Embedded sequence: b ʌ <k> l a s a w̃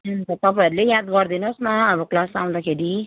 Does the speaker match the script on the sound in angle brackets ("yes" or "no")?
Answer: yes